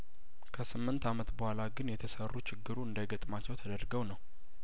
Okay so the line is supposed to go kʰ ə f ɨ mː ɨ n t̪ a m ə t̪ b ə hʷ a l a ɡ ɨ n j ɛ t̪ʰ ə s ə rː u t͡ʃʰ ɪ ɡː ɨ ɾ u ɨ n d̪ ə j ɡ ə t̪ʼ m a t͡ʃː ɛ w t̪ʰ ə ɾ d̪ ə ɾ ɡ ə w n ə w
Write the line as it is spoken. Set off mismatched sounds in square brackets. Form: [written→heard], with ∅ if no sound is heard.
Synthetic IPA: kʰ ə [f→s] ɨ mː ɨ n t̪ a m ə t̪ b ə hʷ a l a ɡ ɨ n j ɛ t̪ʰ ə s ə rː u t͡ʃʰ ɪ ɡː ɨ ɾ u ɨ n d̪ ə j ɡ ə t̪ʼ m a t͡ʃː ɛ w t̪ʰ ə [ɾ→∅] d̪ ə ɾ ɡ ə w n ə w